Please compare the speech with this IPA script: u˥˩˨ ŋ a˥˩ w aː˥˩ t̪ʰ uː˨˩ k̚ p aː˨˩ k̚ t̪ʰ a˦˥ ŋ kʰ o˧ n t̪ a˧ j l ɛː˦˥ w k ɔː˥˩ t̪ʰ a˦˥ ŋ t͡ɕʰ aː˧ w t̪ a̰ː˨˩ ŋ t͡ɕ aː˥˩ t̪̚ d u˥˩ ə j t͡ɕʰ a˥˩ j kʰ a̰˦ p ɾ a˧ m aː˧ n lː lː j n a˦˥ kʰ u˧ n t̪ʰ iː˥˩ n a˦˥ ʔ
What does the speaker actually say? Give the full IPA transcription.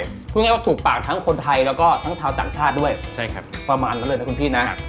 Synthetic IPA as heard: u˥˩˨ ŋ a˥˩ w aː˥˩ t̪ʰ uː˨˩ k̚ p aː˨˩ k̚ t̪ʰ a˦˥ ŋ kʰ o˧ n t̪ʰ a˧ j l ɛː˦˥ w k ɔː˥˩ t̪ʰ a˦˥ ŋ t͡ɕʰ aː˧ w t̪ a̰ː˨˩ ŋ t͡ɕʰ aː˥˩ t̪̚ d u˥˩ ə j t͡ɕʰ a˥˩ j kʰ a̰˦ p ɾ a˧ m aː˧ n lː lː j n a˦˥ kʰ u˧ n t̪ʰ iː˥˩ n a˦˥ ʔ

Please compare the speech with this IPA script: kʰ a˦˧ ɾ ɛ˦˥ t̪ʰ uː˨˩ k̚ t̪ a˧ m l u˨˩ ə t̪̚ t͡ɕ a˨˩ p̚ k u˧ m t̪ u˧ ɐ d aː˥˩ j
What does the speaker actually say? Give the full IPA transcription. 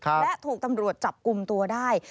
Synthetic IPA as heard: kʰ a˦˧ l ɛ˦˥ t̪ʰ uː˨˩ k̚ t̪ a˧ m ɾ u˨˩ ə t̪̚ t͡ɕ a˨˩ p̚ k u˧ m t̪ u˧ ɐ d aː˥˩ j

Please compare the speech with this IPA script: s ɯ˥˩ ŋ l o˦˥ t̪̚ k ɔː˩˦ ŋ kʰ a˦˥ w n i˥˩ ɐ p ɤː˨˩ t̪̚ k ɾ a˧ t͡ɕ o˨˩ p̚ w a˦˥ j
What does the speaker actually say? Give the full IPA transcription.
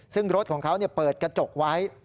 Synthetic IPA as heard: s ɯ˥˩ ŋ ɾ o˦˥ t̪̚ kʰ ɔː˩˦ ŋ kʰ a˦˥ w n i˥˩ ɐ p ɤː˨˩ t̪̚ k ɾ a˧ t͡ɕ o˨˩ k̚ w a˦˥ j

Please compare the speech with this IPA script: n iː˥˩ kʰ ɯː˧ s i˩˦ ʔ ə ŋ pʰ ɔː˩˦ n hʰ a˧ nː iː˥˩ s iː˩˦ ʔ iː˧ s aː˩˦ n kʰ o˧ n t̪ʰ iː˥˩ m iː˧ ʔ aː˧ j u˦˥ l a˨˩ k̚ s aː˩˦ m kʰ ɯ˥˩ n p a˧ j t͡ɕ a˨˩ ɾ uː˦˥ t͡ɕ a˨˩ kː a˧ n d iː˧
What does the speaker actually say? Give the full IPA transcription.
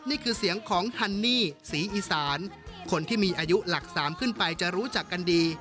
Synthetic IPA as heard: n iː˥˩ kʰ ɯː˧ s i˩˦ ə ŋ kʰ ɔː˩˦ ŋ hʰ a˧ nː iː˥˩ s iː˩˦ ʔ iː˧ s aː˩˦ n kʰ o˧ n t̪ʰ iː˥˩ m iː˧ ʔ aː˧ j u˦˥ l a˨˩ k̚ s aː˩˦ m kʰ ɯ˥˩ n p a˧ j t͡ɕ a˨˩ ɾ uː˦˥ t͡ɕ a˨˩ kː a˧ n d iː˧

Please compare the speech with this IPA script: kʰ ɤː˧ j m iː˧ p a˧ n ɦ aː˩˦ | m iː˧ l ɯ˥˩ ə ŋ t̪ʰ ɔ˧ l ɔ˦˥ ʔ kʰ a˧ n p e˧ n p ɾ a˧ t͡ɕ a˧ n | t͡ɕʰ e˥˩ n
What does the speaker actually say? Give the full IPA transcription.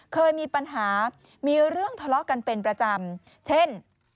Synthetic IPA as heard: kʰ ɤː˧ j m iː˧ p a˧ n ɦ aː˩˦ | m iː˧ ɾ ɯ˥˩ ə ŋ t̪ʰ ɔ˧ l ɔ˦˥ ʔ k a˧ n p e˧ n p ɾ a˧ t͡ɕ a˧ m | t͡ɕʰ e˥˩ n

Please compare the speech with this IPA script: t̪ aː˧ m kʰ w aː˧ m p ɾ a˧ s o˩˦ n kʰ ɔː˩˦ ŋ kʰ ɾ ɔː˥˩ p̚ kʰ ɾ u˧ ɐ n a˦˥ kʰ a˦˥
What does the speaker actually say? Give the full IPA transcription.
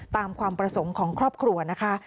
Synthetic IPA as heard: t̪ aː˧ m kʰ w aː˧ m p ɾ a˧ s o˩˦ ŋ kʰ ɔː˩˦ ŋ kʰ ɾ ɔː˥˩ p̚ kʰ ɾ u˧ ɐ n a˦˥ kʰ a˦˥

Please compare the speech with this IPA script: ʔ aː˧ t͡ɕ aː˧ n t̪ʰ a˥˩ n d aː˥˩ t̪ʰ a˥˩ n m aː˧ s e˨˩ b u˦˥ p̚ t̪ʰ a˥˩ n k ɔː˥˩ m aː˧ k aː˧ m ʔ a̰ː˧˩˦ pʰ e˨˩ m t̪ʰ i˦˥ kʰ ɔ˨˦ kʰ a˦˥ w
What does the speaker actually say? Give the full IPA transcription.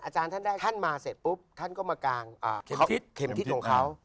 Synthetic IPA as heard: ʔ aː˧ t͡ɕ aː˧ n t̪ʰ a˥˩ n d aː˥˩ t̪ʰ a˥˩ n m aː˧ s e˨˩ p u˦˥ p̚ t̪ʰ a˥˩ n k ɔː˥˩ m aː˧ k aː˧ ŋ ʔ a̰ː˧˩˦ kʰ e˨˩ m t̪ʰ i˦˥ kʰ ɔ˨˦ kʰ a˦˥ w

